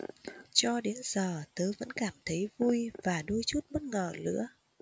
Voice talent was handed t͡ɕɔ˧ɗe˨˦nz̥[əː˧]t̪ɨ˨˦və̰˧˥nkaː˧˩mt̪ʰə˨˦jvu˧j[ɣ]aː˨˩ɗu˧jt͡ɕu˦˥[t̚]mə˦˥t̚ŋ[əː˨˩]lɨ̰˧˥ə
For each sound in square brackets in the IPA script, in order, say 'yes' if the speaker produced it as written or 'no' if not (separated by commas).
no, no, yes, yes